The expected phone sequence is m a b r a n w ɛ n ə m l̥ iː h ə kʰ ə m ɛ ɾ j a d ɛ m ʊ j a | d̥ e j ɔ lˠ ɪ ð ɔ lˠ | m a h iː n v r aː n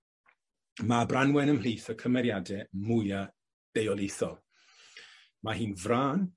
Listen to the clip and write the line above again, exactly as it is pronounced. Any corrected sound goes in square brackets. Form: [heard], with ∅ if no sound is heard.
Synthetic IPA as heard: m a b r a n w ɛ n ə m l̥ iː [θ] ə kʰ ə m ɛ ɾ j a d ɛ m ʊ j a | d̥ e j ɔ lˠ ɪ [θ] ɔ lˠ | m a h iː n v r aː n

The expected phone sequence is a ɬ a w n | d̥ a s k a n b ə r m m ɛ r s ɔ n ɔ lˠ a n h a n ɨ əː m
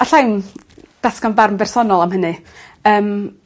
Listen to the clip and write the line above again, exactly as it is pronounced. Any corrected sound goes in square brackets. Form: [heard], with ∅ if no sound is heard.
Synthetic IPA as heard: a ɬ a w n | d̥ a s k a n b [a] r m [b] ɛ r s ɔ n ɔ lˠ a [m] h [ə] n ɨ əː m

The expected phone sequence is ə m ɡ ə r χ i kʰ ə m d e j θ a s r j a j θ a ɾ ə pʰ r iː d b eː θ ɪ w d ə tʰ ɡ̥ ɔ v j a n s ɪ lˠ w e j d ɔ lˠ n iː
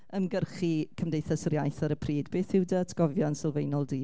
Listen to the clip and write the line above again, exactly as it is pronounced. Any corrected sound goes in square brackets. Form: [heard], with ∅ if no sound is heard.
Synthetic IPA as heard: ə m ɡ ə r χ i kʰ ə m d e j θ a s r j a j θ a ɾ ə pʰ r iː d b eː θ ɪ w d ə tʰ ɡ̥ ɔ v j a n s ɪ lˠ [v] e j [n] ɔ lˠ [d] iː

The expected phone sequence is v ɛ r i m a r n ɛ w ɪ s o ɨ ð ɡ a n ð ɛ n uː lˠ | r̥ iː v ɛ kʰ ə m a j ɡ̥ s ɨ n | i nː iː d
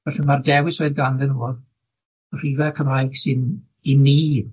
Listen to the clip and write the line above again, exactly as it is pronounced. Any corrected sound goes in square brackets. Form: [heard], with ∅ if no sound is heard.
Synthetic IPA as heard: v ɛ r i m a r [d] ɛ w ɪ s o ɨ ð ɡ a n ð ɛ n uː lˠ | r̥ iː v ɛ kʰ ə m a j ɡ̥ s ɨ n | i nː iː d

